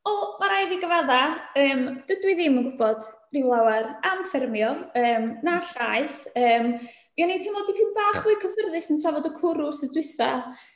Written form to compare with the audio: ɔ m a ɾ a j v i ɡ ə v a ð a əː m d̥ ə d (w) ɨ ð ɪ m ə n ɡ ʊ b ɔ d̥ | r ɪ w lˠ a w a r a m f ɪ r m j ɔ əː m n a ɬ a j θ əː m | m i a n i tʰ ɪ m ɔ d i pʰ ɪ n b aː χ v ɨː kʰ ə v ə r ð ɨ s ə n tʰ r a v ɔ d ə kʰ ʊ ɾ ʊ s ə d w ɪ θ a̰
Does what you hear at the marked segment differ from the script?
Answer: no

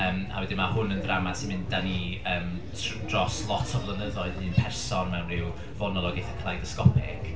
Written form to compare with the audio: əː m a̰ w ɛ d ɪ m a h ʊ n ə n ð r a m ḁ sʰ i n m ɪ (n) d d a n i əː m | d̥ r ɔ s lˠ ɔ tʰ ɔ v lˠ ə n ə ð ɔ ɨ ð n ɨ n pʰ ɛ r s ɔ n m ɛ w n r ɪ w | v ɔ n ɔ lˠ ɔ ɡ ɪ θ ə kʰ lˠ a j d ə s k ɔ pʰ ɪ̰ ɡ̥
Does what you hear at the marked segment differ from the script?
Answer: no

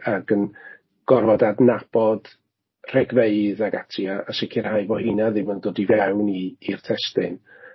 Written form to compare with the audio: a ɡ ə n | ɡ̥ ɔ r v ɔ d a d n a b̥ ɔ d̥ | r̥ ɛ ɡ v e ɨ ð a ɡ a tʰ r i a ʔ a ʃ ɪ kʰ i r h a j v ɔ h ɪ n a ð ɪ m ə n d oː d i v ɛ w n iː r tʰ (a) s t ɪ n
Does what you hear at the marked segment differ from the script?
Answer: yes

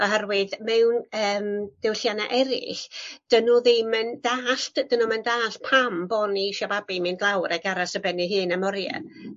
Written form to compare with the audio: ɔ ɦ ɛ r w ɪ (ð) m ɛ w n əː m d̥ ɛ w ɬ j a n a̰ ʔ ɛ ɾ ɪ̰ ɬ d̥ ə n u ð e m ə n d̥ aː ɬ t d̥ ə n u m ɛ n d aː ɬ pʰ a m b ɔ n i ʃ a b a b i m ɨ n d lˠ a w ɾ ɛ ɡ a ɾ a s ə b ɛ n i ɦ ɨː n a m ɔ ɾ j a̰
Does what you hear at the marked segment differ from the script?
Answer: no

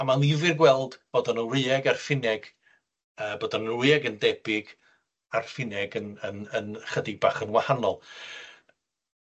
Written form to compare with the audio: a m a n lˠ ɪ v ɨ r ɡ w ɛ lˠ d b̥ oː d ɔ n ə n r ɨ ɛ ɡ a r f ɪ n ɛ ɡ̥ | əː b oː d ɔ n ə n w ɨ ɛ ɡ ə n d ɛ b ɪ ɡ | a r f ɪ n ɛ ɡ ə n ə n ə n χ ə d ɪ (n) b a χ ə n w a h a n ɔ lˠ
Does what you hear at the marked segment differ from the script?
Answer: yes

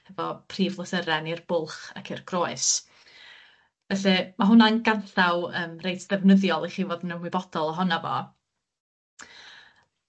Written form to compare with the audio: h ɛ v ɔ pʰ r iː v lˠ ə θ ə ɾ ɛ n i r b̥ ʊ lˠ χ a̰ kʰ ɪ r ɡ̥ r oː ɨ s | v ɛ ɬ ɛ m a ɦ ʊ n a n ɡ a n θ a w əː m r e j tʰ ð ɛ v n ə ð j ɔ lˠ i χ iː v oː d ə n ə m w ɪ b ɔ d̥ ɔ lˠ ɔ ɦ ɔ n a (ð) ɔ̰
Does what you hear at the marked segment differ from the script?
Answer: yes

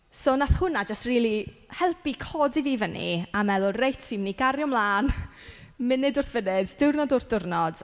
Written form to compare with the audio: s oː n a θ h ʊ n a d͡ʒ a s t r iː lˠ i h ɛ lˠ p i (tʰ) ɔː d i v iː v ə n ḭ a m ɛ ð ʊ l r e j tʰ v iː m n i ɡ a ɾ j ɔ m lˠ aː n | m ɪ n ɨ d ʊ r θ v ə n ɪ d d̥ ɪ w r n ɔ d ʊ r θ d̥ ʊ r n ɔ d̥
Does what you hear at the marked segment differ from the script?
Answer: yes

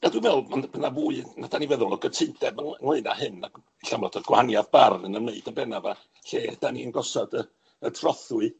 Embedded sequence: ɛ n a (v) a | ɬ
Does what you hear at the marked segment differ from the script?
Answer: no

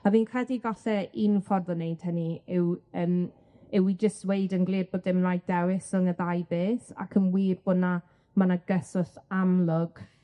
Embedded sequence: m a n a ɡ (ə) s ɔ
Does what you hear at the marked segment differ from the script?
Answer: no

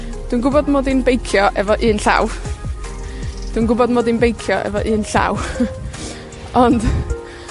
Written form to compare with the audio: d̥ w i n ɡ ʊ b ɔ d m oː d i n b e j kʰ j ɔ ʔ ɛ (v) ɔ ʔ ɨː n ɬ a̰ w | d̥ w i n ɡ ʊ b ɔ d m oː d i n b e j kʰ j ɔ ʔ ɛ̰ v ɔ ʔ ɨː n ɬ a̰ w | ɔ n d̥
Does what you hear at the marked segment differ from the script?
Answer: no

